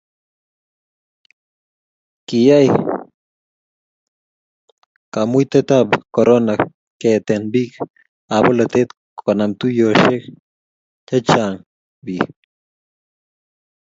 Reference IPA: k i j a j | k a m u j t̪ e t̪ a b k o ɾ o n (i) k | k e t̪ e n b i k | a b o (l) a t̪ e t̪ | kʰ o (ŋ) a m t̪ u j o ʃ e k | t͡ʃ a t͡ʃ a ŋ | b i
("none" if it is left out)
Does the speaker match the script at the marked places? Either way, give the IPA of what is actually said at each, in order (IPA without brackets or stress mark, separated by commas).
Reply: a, l, n